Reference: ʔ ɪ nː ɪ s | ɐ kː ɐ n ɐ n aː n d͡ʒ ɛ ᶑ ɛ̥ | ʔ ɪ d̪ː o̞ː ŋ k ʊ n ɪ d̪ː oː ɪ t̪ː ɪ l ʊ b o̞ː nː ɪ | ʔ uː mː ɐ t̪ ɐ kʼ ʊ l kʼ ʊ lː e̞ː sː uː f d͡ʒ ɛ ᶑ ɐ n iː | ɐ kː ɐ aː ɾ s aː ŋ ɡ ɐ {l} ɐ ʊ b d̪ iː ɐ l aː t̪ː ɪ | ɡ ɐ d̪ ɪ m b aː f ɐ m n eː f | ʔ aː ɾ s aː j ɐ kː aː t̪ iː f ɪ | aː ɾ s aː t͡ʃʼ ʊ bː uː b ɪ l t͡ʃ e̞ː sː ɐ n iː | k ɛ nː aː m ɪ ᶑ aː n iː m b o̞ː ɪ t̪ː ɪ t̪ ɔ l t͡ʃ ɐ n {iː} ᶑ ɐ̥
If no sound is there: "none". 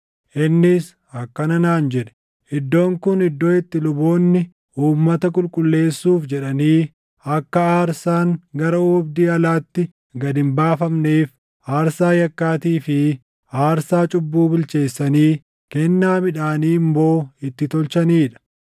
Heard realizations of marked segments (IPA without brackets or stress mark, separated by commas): ɾ, iː